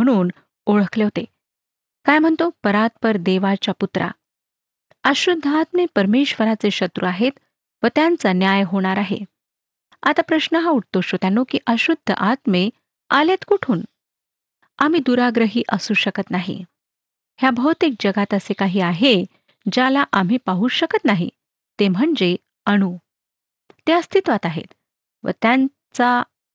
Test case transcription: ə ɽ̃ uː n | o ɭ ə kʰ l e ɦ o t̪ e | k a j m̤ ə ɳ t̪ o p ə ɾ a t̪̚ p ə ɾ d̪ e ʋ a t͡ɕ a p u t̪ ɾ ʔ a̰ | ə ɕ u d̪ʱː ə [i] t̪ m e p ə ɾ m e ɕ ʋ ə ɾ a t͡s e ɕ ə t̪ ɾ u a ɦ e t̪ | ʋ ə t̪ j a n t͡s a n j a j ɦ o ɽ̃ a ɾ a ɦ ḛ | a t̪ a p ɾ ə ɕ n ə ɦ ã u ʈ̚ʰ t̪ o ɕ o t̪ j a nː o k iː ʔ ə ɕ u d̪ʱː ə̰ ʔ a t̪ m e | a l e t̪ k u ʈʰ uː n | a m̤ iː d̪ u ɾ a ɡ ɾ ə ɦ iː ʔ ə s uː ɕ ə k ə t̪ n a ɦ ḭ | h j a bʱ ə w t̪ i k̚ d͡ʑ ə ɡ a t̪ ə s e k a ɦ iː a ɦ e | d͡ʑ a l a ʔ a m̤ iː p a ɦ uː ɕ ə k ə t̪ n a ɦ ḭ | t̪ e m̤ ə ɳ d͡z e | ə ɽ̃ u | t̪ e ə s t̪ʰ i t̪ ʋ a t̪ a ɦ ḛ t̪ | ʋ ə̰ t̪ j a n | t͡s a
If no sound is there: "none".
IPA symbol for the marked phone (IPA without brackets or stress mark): a